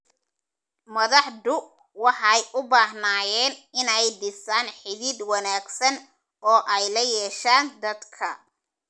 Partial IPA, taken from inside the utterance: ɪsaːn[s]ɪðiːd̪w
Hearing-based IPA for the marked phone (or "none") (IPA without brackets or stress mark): ħ